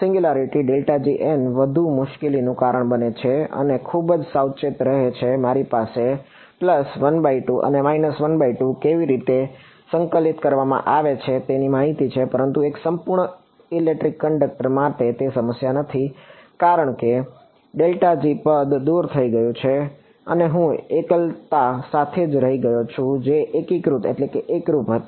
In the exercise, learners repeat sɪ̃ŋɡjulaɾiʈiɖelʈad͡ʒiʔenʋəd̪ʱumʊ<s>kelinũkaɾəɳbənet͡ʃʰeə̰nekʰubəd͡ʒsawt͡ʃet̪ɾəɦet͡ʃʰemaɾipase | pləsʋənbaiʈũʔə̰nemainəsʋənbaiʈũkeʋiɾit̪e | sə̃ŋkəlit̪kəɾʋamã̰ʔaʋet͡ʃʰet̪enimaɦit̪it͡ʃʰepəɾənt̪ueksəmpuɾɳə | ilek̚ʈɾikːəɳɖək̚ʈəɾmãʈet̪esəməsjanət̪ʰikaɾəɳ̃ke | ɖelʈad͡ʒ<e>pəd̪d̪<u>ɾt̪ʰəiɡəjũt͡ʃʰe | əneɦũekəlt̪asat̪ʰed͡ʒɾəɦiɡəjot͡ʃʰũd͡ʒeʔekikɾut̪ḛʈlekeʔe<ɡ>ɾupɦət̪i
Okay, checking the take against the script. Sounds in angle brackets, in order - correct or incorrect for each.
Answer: incorrect: ʃ, incorrect: i, correct, incorrect: k

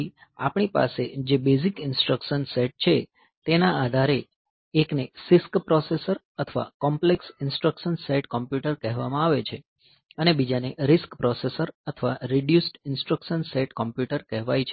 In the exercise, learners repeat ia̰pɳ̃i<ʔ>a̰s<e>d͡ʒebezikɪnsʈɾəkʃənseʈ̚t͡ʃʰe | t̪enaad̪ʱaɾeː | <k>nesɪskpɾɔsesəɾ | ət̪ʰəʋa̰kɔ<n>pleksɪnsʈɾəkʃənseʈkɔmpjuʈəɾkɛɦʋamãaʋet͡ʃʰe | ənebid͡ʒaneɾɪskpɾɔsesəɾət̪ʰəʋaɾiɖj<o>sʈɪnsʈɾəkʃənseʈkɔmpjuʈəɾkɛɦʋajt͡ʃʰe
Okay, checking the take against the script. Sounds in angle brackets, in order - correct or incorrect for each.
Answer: incorrect: p, correct, correct, incorrect: m, incorrect: u

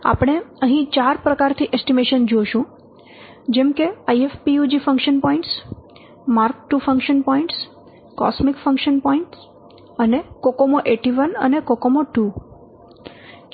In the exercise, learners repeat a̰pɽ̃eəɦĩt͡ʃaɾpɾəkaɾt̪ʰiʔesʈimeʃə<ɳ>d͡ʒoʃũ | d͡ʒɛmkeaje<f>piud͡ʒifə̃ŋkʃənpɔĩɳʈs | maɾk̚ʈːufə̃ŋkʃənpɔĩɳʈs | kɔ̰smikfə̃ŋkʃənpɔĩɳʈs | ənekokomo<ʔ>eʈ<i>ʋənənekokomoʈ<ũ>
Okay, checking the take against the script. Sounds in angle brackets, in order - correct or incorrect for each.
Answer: incorrect: n, correct, correct, correct, incorrect: u

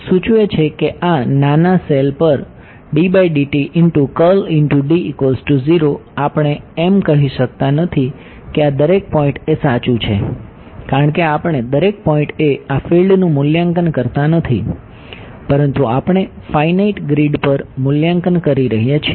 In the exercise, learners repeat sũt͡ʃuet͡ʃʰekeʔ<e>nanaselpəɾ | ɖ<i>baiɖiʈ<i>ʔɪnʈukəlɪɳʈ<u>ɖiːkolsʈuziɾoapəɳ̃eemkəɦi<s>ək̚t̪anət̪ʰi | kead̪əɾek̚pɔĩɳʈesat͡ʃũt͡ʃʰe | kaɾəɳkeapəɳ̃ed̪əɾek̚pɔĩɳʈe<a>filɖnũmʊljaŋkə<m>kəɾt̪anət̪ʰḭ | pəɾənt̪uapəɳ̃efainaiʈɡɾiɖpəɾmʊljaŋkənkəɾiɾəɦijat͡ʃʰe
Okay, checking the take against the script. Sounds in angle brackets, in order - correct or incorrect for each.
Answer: incorrect: a, correct, correct, correct, incorrect: ʃ, correct, incorrect: n

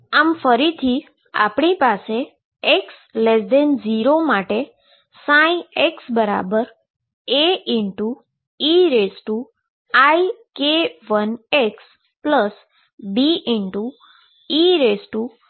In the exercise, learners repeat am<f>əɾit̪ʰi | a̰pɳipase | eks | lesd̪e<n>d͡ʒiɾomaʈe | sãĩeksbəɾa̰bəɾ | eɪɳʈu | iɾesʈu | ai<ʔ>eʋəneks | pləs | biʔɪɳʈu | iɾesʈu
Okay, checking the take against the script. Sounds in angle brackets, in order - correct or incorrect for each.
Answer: correct, correct, incorrect: k

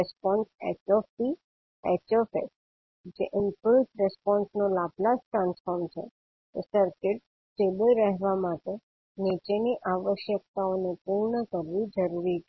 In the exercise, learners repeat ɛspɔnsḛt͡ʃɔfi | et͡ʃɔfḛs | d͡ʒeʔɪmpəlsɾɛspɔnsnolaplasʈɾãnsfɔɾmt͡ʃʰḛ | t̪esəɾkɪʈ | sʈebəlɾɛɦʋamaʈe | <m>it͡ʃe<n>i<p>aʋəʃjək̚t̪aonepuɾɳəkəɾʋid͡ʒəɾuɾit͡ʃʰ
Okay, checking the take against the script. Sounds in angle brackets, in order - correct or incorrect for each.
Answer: incorrect: n, correct, incorrect: ʔ

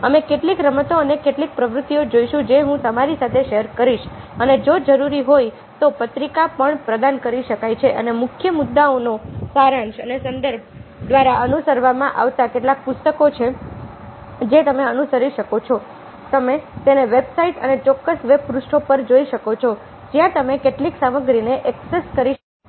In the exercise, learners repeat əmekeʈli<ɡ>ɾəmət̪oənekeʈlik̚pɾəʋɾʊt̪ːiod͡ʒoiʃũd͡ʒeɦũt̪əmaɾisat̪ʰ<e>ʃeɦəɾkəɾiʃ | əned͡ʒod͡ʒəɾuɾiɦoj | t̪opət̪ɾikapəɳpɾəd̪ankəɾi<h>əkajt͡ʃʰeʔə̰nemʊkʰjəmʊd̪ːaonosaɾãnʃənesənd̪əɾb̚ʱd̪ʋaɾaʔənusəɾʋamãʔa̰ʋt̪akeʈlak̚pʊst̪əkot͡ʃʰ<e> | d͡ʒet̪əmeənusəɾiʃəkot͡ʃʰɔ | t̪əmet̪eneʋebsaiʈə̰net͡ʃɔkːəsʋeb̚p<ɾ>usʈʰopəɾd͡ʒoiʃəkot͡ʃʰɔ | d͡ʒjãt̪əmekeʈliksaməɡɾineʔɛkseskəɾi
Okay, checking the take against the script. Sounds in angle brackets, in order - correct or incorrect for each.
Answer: incorrect: k, correct, incorrect: ʃ, correct, correct

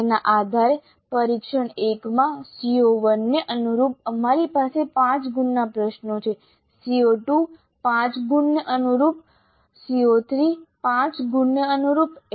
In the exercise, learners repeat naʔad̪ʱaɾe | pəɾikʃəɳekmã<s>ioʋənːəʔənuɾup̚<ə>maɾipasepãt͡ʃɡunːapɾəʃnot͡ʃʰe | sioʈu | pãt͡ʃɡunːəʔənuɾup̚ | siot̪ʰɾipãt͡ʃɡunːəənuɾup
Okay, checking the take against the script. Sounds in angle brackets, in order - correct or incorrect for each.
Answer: correct, correct

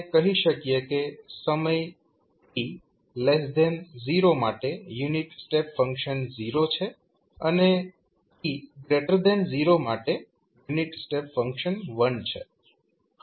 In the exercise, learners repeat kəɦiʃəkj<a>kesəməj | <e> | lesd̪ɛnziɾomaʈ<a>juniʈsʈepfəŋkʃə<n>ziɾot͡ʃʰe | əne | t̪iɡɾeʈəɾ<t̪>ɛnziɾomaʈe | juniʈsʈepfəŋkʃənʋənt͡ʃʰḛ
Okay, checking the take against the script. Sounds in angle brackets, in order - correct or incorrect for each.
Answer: incorrect: e, incorrect: i, incorrect: e, correct, incorrect: d̪

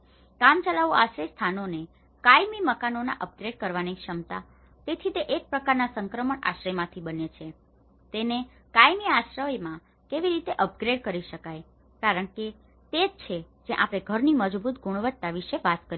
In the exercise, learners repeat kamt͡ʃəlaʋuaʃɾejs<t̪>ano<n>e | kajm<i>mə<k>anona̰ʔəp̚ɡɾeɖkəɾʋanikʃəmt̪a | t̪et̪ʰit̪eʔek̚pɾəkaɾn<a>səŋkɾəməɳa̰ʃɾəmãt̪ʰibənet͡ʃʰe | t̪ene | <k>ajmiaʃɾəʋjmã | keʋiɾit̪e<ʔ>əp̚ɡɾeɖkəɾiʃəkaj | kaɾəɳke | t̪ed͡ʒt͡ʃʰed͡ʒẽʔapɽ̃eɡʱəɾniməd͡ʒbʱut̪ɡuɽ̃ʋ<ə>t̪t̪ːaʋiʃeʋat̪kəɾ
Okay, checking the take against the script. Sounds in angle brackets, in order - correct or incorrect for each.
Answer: incorrect: t̪ʰ, correct, correct, correct, correct, correct, correct, correct

